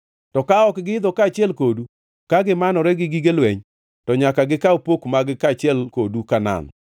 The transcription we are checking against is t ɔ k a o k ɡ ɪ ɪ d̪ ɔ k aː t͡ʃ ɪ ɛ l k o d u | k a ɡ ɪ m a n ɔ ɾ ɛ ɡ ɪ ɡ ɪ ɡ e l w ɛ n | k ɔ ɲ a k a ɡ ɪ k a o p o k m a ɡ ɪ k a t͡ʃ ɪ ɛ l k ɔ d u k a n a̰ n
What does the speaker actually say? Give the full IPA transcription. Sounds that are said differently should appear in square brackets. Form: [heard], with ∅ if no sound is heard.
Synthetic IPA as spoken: t ɔ k a [ɔ] k ɡ ɪ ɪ d̪ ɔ k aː t͡ʃ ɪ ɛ l k o d u | k a ɡ ɪ m a n ɔ ɾ ɛ ɡ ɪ ɡ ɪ ɡ e l w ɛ [ɲ] | [t] ɔ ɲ a k a ɡ ɪ k a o p o k m a ɡ ɪ k a t͡ʃ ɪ ɛ l k [o] d u k a n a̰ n